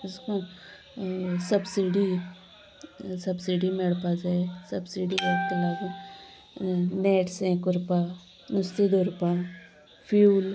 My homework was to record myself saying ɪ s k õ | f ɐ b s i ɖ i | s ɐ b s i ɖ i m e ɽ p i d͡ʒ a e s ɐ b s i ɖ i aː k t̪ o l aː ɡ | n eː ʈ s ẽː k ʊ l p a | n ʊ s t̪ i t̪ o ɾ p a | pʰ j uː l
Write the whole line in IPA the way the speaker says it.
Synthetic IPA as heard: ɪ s k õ | s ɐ b s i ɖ i | s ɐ b s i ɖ i m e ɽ p a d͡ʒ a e s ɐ b s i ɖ i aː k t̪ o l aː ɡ | n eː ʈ s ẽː k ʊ ɾ p a | n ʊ s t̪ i d̪ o ɾ p a | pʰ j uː l

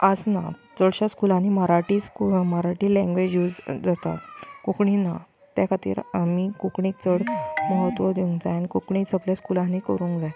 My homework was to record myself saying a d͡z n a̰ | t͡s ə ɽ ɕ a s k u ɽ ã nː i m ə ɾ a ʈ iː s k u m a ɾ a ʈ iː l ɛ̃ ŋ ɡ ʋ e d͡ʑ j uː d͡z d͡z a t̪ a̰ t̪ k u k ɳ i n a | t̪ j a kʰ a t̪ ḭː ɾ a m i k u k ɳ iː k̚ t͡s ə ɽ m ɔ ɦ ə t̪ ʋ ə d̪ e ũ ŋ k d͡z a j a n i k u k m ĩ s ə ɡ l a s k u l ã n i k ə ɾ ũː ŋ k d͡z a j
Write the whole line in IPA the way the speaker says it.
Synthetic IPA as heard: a d͡z n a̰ | t͡s ə ɽ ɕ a s k u l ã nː i m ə ɾ a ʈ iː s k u m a ɾ a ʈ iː l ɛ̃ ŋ ɡ ʋ e d͡ʑ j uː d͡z d͡z a t̪ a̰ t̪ k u k ɳ i n a | t̪ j a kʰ a t̪ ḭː ɾ a m i k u k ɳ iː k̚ t͡s ə ɽ m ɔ ɦ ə t̪ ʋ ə d̪ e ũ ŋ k d͡z a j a n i k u k ɳ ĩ s ə ɡ l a s k u l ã n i k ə ɾ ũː ŋ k d͡z a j

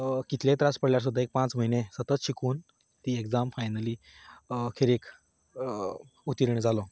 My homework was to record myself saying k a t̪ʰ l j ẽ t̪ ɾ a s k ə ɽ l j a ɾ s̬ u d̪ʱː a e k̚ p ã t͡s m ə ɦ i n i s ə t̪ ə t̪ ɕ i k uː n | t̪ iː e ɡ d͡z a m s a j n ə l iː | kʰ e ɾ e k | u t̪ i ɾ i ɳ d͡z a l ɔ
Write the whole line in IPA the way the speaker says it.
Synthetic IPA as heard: k i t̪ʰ l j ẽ t̪ ɾ a s p ə ɽ l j a ɾ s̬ u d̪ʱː a e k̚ p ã t͡s m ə ɦ i n e s ə t̪ ə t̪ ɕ i k uː n | t̪ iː e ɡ d͡z a m f a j n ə l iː | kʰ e ɾ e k | u t̪ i ɾ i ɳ d͡z a l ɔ

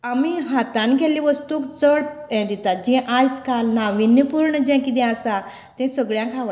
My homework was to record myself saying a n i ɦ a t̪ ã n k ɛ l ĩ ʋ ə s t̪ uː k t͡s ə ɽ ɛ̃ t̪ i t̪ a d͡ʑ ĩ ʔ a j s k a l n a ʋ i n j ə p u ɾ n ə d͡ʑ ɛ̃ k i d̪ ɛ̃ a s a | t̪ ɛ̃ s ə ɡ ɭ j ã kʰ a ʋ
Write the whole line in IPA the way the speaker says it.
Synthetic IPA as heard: a m i ɦ a t̪ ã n k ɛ l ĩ ʋ ə s t̪ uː k t͡s ə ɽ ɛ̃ d̪ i t̪ a d͡ʑ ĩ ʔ a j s k a l n a ʋ i n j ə p u ɾ ɳ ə d͡ʑ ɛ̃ k i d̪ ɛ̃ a s a | t̪ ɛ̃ s ə ɡ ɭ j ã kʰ a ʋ

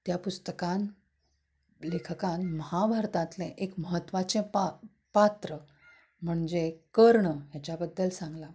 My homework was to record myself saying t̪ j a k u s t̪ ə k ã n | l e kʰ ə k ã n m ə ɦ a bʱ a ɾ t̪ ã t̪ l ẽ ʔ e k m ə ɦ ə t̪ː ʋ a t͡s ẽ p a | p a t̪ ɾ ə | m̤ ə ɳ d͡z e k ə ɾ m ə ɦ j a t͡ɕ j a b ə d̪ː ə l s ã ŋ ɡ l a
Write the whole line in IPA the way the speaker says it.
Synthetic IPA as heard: t̪ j a p u s t̪ ə k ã n | l e kʰ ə k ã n m ə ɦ a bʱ a ɾ t̪ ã t̪ l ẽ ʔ e k m ə ɦ ə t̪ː ʋ a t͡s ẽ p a | p a t̪ ɾ ə | m̤ ə ɳ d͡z e k ə ɾ ɳ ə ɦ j a t͡ɕ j a b ə d̪ː ə l s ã ŋ ɡ l a

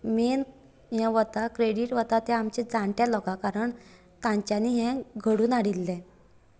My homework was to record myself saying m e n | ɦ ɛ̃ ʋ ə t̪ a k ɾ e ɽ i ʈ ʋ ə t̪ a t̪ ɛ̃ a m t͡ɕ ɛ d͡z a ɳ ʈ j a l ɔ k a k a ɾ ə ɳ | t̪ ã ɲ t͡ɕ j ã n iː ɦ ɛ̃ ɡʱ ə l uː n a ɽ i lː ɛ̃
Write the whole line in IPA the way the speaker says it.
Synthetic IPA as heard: m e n | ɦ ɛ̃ ʋ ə t̪ a k ɾ e ɽ i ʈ ʋ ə t̪ a t̪ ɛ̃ a m t͡ɕ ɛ d͡z a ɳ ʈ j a l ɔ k a k a ɾ ə ɳ | t̪ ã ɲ t͡ɕ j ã n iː ɦ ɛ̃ ɡʱ ə ɽ uː n a ɽ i lː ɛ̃

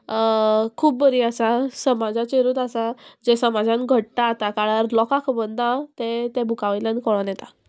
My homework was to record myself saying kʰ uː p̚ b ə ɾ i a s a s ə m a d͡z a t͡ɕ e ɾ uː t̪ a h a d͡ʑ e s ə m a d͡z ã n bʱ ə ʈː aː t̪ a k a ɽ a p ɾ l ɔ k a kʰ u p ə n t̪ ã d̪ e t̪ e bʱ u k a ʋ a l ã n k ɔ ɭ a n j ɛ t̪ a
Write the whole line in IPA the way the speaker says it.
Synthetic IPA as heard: kʰ uː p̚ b ə ɾ i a s a s ə m a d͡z a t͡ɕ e ɾ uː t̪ a s a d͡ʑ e s ə m a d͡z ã n ɡʱ ə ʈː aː t̪ a k a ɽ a ɾ l ɔ k a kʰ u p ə n d̪ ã t̪ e t̪ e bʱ u k a ʋ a l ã n k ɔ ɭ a n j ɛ t̪ a

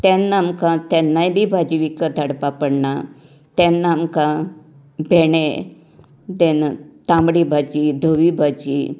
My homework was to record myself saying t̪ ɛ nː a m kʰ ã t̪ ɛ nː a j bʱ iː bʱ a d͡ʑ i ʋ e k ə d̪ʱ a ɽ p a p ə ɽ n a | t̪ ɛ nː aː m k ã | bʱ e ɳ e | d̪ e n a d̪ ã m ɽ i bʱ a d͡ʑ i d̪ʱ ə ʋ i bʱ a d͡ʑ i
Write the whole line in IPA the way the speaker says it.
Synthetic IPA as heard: t̪ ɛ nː a m k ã t̪ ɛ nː a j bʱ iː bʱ a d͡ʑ i ʋ i k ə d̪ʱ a ɽ p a p ə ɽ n a | t̪ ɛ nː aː m k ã | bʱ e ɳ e | d̪ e n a t̪ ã m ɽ i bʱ a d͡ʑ i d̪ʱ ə ʋ i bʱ a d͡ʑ i

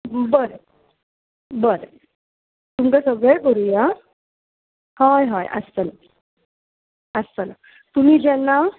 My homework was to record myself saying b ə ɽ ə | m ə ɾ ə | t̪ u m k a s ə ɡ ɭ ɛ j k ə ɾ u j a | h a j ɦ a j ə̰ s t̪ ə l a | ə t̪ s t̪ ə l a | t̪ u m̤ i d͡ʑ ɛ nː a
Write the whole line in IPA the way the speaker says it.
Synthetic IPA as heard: b ə ɾ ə | b ə ɾ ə | t̪ u m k a s ə ɡ ɭ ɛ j k ə ɾ u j a | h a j ɦ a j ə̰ s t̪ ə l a | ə s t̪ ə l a | t̪ u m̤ i d͡ʑ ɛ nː a

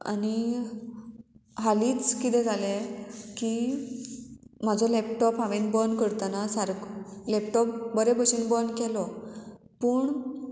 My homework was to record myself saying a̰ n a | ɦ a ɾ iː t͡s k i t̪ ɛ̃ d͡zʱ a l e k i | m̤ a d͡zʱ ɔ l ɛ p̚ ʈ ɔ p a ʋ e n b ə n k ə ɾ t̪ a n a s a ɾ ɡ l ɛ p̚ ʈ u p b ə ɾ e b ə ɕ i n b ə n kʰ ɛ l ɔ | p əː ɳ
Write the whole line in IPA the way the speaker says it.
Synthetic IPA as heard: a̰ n i | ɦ a l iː t͡s k i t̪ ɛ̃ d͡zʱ a l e k i | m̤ a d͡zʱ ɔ l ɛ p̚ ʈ ɔ p a ʋ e n b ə n k ə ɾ t̪ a n a s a ɾ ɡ l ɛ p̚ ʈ ɔ p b ə ɾ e b ə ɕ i n b ə n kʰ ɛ l ɔ | p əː ɳ

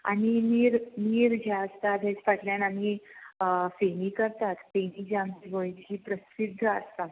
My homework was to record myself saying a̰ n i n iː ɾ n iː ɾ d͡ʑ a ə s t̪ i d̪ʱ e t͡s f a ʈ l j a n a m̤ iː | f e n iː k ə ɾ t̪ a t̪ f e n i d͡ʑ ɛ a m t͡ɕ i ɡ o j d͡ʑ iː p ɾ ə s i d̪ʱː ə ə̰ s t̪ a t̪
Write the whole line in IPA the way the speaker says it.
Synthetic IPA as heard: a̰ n i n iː ɾ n iː ɾ d͡ʑ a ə s t̪ a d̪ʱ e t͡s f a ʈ l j a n a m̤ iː | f e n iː k ə ɾ t̪ a t̪ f e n i d͡ʑ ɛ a m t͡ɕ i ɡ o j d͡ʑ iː p ɾ ə s i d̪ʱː ə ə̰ s t̪ a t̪

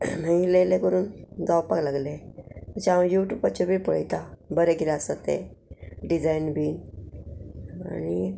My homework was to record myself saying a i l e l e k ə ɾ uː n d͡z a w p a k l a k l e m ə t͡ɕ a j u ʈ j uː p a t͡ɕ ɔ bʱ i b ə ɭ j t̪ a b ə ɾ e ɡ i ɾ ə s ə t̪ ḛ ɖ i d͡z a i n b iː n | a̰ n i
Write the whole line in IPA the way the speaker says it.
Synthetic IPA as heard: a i l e l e k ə ɾ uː n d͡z a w p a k l a ɡ l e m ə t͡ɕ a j u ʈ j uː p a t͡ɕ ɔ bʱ i p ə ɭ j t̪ a b ə ɾ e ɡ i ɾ a s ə t̪ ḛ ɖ i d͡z a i n b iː n | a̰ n i

